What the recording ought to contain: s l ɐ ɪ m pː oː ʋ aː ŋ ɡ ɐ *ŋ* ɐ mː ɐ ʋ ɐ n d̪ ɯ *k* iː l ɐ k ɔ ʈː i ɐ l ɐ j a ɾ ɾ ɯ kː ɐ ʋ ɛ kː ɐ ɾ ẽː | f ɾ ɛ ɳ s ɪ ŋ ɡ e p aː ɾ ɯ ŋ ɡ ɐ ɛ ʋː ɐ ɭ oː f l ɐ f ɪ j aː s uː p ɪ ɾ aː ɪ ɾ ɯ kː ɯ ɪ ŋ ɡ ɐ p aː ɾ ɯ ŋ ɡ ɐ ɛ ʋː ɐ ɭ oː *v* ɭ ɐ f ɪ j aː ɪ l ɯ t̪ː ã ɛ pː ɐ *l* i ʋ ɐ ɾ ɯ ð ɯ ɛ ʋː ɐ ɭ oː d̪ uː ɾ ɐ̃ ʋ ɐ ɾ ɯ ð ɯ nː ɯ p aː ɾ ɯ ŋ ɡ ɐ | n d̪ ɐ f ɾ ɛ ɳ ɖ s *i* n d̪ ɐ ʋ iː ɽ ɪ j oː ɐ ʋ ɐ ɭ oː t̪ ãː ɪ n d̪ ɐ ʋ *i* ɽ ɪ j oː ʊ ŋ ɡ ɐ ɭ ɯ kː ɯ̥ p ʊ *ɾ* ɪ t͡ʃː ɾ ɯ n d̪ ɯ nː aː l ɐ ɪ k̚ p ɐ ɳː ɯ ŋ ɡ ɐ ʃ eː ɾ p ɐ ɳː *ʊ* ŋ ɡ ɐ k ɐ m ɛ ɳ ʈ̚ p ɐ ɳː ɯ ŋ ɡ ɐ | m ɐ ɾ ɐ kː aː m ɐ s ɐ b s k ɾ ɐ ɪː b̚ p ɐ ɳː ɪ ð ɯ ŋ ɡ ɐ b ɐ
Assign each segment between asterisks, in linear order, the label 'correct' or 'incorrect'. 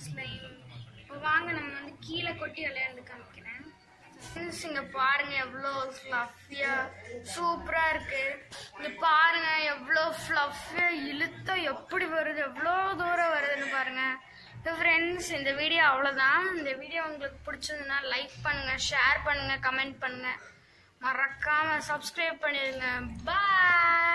incorrect, correct, incorrect, incorrect, incorrect, incorrect, incorrect, incorrect

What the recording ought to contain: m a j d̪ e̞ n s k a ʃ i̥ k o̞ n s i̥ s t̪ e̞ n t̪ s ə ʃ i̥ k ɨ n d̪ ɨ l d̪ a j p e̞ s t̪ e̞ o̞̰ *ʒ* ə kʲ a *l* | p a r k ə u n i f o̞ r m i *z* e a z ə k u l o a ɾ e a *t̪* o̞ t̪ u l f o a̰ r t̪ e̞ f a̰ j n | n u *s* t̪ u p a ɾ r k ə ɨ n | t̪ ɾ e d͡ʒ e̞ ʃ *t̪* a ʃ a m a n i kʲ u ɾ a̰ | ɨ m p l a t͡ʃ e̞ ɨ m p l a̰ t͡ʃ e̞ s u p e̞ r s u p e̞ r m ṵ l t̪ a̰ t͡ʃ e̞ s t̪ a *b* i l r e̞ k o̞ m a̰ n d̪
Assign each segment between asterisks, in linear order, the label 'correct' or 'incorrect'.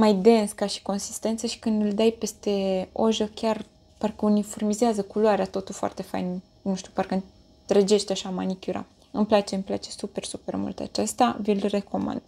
correct, incorrect, correct, correct, incorrect, correct, incorrect

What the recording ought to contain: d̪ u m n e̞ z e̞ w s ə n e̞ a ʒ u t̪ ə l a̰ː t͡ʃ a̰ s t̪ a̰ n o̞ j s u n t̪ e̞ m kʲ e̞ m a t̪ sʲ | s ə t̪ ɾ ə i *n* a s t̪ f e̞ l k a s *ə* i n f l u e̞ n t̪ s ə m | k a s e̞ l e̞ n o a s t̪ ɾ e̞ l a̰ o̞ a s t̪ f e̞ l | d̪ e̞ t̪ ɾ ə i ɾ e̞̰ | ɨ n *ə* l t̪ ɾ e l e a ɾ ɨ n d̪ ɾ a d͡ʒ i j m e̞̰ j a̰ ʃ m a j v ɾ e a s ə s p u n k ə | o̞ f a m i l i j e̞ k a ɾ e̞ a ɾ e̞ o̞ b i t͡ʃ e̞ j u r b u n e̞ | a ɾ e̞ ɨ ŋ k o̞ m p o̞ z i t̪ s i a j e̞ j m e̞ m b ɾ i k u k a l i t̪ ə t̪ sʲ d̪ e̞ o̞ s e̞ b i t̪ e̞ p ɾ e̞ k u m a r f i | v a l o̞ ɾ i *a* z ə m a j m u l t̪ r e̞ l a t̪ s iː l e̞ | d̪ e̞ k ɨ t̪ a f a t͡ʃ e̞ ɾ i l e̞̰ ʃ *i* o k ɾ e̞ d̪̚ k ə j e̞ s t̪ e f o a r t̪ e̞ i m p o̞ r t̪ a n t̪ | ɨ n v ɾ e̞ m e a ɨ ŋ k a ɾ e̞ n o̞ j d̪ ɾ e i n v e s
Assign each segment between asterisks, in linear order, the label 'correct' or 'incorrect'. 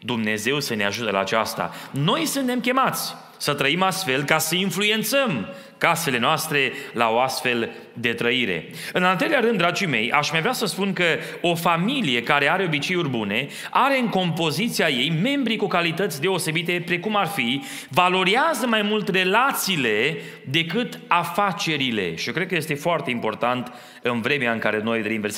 incorrect, correct, incorrect, correct, correct

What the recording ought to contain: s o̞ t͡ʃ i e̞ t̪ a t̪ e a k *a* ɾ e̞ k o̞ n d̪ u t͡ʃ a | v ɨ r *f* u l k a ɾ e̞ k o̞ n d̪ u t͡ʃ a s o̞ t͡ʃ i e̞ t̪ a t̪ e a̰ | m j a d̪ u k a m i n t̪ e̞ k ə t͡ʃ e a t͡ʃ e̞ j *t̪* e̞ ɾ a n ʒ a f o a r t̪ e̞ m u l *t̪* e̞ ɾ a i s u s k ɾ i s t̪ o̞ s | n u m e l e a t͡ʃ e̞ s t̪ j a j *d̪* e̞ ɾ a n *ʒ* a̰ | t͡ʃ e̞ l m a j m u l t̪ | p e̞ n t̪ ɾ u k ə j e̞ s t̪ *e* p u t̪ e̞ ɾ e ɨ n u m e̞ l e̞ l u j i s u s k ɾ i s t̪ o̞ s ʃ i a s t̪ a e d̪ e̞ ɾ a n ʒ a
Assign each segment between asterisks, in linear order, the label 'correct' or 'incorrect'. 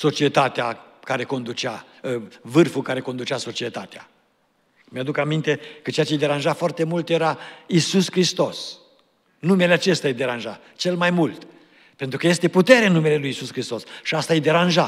correct, correct, incorrect, correct, correct, correct, correct

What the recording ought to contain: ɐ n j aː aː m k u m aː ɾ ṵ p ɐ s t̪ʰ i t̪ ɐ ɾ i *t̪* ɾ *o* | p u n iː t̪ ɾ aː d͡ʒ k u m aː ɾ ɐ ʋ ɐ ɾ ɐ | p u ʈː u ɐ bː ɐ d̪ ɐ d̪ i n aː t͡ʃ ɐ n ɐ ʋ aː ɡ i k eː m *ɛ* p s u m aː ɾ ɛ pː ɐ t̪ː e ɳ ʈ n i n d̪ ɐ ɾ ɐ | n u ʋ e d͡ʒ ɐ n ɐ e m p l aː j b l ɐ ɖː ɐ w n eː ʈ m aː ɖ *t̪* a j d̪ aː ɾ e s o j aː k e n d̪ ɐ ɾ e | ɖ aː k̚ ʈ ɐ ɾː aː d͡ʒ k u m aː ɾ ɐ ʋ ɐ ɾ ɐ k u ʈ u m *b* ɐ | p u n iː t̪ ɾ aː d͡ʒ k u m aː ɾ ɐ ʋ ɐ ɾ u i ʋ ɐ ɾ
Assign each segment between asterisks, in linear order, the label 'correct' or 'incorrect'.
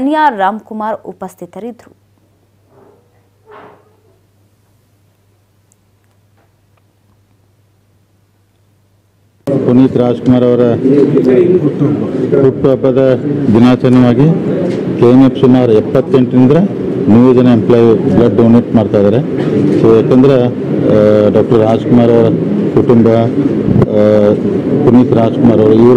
incorrect, incorrect, incorrect, correct, correct

